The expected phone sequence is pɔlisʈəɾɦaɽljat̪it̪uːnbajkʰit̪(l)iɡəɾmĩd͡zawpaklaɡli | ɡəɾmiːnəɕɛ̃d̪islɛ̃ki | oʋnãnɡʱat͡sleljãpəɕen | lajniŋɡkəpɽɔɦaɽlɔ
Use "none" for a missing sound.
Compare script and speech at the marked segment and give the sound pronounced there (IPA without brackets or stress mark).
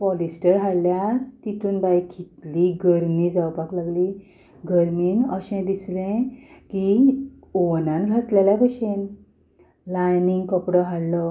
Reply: l